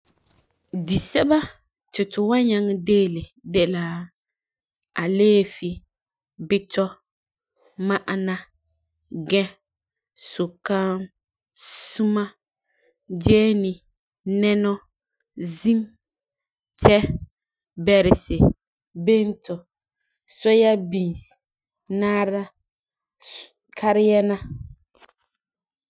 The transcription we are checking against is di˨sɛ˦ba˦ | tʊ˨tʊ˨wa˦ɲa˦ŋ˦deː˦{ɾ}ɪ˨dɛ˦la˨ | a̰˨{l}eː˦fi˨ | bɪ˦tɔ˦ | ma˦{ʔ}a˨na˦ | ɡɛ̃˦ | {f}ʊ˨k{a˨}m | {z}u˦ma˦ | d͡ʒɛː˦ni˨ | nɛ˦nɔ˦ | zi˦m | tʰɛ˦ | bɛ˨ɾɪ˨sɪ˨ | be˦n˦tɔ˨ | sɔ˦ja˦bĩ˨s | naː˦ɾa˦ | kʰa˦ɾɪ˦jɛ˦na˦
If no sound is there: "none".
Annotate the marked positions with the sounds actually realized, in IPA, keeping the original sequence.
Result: l, l, ʔ, s, a˦, s

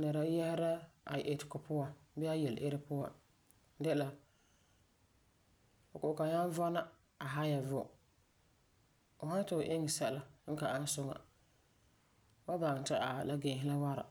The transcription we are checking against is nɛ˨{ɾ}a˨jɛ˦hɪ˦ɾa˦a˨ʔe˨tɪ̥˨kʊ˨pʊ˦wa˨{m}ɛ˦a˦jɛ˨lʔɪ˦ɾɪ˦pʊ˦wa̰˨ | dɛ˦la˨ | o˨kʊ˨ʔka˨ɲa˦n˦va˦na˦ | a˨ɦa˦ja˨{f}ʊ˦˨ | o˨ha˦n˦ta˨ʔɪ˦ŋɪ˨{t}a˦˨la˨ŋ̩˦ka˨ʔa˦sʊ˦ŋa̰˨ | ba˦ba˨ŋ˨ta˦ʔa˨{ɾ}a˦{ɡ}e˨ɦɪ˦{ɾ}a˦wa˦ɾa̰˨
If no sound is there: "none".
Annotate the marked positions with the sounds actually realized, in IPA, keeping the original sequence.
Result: ɾ, b, v, s, l, ɡ, l

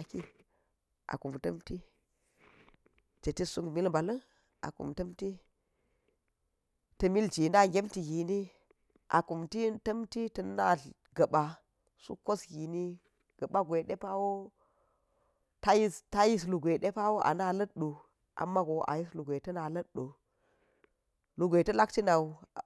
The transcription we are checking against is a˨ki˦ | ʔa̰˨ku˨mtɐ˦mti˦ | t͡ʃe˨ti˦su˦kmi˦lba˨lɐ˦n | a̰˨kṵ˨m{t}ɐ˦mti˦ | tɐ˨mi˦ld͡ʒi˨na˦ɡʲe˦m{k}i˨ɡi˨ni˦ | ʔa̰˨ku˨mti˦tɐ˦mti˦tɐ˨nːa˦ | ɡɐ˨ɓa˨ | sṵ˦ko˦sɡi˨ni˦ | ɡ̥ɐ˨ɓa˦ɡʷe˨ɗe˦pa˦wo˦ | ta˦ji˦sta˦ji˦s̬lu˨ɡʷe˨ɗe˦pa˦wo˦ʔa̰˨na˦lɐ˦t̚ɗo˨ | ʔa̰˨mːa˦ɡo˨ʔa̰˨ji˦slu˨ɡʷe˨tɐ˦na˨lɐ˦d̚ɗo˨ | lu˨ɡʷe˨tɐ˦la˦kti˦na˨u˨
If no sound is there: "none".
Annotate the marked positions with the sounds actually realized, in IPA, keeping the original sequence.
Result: t, t

